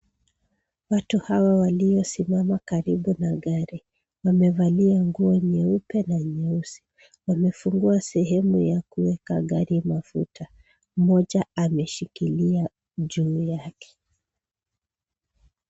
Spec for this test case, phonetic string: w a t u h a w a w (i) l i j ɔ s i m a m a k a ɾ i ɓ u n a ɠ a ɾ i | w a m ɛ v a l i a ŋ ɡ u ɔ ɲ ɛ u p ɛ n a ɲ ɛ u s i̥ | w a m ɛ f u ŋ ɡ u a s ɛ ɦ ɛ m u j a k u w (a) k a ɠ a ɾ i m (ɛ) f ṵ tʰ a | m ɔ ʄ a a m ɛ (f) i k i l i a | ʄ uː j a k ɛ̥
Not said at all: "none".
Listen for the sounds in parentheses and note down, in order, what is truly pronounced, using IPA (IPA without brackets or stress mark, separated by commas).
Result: a, ɛ, a, ʃ